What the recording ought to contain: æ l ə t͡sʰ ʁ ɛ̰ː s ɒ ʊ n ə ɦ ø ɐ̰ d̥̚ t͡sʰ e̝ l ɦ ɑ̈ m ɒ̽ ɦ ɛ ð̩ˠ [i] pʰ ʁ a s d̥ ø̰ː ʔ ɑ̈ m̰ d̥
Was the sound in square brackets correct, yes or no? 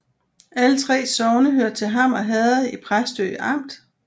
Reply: yes